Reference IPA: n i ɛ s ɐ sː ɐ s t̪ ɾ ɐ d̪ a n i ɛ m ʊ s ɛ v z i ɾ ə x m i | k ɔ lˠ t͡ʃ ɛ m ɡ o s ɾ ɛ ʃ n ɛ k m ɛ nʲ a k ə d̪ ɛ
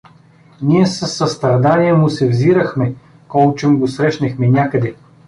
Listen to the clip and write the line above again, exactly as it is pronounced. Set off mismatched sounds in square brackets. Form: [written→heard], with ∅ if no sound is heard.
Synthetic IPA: n i ɛ s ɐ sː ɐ s t̪ ɾ ɐ d̪ a n i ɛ m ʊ s ɛ v z i ɾ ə x m [i→ɛ] | k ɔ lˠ t͡ʃ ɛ m ɡ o s ɾ ɛ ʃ n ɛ [k→x] m ɛ nʲ a k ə d̪ ɛ